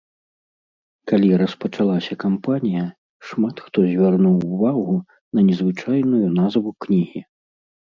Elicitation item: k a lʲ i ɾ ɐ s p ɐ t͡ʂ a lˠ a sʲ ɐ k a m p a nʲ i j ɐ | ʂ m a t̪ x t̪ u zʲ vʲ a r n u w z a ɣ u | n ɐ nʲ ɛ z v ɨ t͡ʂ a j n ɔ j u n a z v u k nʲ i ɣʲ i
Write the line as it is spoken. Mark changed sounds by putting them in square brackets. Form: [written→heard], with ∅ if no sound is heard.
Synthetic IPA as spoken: k a lʲ i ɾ ɐ s p ɐ t͡ʂ a lˠ a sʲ ɐ k a m p a nʲ i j ɐ | ʂ m a t̪ x t̪ [u→ɔ] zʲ vʲ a r n u w [z→v] a ɣ u | n ɐ nʲ ɛ z v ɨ t͡ʂ a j n [ɔ→u] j u n a z v u k nʲ i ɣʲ i